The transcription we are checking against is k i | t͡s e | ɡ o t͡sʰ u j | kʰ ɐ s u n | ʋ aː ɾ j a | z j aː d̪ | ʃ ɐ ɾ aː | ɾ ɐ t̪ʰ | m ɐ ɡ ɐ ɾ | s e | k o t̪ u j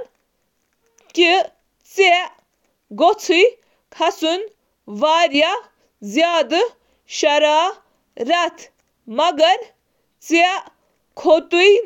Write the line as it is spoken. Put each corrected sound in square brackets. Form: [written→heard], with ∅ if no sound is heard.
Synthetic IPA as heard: k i | t͡s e | ɡ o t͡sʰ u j | kʰ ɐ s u n | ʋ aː ɾ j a | z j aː d̪ | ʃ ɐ ɾ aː | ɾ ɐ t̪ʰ | m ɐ ɡ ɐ ɾ | [s→t͡s] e | [k→kʰ] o t̪ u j